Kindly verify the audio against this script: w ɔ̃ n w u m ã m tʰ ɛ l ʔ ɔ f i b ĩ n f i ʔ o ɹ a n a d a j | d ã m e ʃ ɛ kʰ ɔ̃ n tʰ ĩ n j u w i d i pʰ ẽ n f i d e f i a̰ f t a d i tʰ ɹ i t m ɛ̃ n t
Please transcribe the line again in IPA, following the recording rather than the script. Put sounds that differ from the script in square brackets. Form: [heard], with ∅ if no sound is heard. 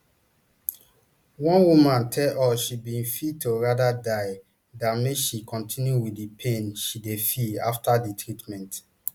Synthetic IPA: w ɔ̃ n w u m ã [n] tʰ ɛ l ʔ ɔ [ʃ] i b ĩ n f i [t] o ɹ a [d] a d a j | d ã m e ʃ [i] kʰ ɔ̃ n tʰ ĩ n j u w i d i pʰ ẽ n [ʃ] i d e f i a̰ f t a d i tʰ ɹ i t m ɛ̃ n t